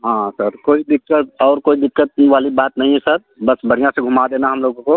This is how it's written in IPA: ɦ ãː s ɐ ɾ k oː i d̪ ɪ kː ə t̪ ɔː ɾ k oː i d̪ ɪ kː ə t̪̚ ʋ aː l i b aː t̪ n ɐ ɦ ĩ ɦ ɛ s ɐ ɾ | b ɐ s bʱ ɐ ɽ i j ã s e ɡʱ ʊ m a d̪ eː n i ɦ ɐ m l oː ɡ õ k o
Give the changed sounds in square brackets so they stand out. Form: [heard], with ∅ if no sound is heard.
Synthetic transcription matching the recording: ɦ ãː s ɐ ɾ k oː i d̪ ɪ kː ə t̪ ɔː ɾ k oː i d̪ ɪ kː ə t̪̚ ʋ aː l i b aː t̪ n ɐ ɦ ĩ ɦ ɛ s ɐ ɾ | b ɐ s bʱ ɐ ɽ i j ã s e ɡʱ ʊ m a d̪ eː n [a] ɦ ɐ m l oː ɡ õ k o